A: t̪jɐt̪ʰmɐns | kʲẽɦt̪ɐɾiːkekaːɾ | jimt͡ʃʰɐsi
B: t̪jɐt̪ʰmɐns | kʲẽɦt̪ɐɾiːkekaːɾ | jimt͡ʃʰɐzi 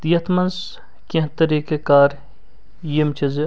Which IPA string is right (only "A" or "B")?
B